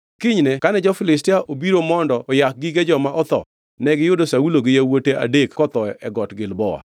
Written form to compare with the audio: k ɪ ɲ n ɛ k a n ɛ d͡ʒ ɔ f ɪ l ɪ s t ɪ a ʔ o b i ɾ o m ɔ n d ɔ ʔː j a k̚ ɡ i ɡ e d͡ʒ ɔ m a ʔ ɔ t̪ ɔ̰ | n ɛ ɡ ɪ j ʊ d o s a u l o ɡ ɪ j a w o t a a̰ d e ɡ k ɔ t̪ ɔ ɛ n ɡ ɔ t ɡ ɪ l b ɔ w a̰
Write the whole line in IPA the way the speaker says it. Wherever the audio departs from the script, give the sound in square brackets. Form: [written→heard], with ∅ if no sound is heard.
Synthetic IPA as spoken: k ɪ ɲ n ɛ k a n ɛ d͡ʒ ɔ f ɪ l ɪ s t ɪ a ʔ o b i ɾ o m ɔ n d ɔ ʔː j a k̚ ɡ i ɡ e d͡ʒ ɔ m a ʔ ɔ t̪ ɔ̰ | n ɛ ɡ ɪ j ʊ d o s a u l o ɡ ɪ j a w o t [a→e] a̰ d e [ɡ→k] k ɔ t̪ ɔ ɛ [n→∅] ɡ ɔ t ɡ ɪ l b ɔ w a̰